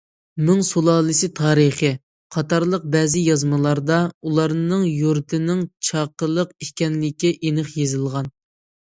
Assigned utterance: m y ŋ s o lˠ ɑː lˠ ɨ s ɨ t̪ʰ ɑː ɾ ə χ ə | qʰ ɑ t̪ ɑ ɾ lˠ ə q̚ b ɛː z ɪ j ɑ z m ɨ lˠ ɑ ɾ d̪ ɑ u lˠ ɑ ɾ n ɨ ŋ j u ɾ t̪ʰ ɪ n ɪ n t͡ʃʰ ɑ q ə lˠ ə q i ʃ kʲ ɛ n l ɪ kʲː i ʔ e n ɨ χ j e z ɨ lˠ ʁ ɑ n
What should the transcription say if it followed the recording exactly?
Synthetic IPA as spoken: m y ŋ s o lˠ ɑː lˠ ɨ s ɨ t̪ʰ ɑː ɾ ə χ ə | qʰ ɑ t̪ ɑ ɾ lˠ ə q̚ b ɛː z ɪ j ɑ z m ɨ lˠ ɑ ɾ d̪ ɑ u lˠ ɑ ɾ n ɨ ŋ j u ɾ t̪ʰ ɪ n ɪ ŋ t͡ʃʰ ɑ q ə lˠ ə q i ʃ kʲ ɛ n l ɪ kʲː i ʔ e n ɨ χ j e z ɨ lˠ ʁ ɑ n

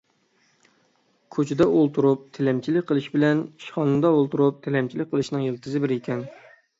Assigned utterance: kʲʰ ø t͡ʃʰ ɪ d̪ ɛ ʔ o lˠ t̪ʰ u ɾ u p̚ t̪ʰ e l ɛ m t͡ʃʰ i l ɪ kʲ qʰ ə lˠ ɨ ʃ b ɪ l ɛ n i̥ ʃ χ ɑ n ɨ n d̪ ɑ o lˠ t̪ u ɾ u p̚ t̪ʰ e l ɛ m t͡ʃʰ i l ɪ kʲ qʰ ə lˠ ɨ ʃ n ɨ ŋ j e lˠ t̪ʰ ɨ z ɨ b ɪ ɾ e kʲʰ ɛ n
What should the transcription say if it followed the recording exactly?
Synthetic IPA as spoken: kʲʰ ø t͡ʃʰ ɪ d̪ ɛ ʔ o lˠ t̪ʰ u ɾ u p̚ t̪ʰ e l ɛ m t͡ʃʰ i l ɪ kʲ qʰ ə lˠ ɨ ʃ b ɪ l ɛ n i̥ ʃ χ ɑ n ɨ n d̪ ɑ o lˠ t̪ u ɾ u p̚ t̪ʰ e l ɛ m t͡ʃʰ i l ɪ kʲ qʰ ə lˠ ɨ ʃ n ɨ ŋ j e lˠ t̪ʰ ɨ z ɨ b ɪ ɾ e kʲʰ ɛ n

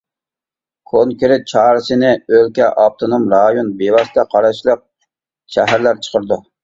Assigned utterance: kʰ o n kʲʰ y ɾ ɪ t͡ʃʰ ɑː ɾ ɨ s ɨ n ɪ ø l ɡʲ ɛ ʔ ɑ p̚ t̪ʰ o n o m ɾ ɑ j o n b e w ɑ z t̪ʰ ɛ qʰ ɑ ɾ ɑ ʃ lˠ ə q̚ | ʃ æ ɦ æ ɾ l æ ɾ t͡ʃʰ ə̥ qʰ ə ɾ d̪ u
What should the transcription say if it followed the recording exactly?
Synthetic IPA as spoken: kʰ o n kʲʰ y ɾ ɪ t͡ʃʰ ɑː ɾ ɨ s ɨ n ɪ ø l kʲ ɛ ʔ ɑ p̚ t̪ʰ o n o m ɾ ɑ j o n b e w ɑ s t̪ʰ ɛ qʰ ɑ ɾ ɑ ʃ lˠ ə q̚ | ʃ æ ɦ æ ɾ l æ ɾ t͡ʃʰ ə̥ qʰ ə ɾ d̪ u

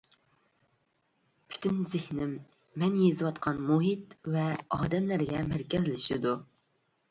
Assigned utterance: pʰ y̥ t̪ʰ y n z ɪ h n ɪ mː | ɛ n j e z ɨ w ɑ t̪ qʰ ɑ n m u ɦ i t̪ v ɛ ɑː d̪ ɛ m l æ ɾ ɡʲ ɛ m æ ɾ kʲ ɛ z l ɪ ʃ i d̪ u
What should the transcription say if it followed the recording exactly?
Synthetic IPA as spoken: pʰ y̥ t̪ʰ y n z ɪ h n ɪ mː | ɛ n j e z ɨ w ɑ t̪ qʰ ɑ n m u ɦ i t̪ v ɛ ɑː d̪ ɛ m l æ ɾ ɡʲ ɛ m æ ɾ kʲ ɛ z l ɪ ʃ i d̪ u

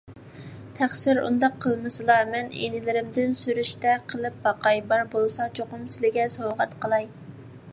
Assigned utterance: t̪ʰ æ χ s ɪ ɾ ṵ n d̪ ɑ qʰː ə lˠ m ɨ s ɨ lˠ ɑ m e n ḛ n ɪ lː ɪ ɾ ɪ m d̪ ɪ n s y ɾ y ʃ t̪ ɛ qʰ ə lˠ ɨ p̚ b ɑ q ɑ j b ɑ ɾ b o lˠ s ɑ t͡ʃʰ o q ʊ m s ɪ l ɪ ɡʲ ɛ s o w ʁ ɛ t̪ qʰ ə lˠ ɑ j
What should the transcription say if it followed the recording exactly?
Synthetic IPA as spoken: t̪ʰ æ χ s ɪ ɾ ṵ n d̪ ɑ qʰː ə lˠ m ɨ s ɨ lˠ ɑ m ɛ n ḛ n ɪ l ɪ ɾ ɪ m d̪ ɪ n s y ɾ y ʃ t̪ ɛ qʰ ə lˠ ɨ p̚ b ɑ q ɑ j b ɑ ɾ b o lˠ s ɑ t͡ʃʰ o q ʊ m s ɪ l ɪ ɡʲ ɛ s o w ʁ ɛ t̪ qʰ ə lˠ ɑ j

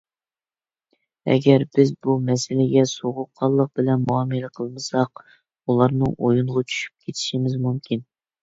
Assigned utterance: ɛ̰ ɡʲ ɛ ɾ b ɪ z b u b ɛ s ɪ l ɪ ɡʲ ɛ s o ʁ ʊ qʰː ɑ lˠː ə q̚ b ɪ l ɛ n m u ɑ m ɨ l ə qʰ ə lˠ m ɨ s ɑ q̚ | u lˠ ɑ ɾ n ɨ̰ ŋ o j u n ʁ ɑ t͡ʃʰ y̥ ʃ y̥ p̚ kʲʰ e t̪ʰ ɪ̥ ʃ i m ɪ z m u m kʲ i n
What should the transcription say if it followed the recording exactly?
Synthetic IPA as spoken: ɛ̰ ɡʲ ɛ ɾ b ɪ z b u m ɛ s ɪ l ɪ ɡʲ ɛ s o ʁ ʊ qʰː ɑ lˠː ə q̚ b ɪ l ɛ n m u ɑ m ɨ l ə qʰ ə lˠ m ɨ s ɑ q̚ | u lˠ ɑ ɾ n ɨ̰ ŋ o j u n ʁ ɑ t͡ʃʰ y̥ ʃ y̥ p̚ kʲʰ e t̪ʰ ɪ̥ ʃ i m ɪ z m u m kʲ i n

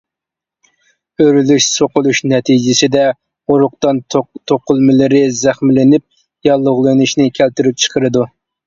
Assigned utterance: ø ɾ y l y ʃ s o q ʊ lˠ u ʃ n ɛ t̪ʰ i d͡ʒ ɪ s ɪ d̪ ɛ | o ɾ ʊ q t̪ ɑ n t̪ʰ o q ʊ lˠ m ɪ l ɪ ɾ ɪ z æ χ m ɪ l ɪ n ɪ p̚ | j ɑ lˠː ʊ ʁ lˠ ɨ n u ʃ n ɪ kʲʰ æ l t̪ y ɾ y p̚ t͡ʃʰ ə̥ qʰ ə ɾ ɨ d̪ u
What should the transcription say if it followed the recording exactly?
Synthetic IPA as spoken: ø ɾ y l y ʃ s o q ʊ lˠ u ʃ n ɛ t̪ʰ i d͡ʒ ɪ s ɪ d̪ ɛ | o ɾ ʊ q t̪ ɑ n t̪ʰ o q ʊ lˠ m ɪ l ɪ ɾ ɪ z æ χ m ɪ l ɪ n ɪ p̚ | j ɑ lˠː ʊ ʁ lˠ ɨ n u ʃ n ɪ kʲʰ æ l t̪ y ɾ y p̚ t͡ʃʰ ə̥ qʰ ə ɾ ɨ d̪ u

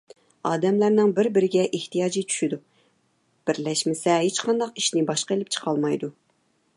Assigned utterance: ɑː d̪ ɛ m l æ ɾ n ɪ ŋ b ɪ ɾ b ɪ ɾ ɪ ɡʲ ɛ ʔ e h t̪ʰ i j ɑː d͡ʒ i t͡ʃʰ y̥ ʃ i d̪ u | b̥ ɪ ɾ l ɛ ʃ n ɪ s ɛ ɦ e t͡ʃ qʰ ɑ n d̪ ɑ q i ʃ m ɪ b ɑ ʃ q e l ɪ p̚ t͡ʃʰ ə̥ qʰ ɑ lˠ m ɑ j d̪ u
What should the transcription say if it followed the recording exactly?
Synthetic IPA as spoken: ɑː d̪ ɛ m l æ ɾ n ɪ ŋ b ɪ ɾ b ɪ ɾ ɪ ɡʲ ɛ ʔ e h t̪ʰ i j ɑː d͡ʒ i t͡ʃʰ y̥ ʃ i d̪ u | b̥ ɪ ɾ l ɛ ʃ m ɪ s ɛ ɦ e t͡ʃ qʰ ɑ n d̪ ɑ q i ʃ n ɪ b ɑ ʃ q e l ɪ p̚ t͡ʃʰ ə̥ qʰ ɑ lˠ m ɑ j d̪ u

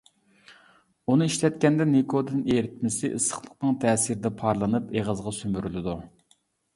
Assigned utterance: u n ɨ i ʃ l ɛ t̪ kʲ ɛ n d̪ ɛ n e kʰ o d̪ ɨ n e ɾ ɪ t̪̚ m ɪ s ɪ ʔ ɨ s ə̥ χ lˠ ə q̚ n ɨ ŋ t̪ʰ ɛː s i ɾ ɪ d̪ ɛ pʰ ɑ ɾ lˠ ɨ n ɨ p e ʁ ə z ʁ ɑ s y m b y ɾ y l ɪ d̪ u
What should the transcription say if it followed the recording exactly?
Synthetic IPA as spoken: u n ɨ i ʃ l ɛ t̪ kʲ ɛ n d̪ ɛ n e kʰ o d̪ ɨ n e ɾ ɪ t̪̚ m ɪ s ɪ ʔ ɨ s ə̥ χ lˠ ə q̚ n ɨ ŋ t̪ʰ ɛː s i ɾ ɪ d̪ ɛ pʰ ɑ ɾ lˠ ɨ n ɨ p e ʁ ə z ʁ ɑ s y m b y ɾ y l ɪ d̪ u

